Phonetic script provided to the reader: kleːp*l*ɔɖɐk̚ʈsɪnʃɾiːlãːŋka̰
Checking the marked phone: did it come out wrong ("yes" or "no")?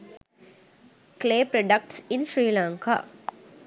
yes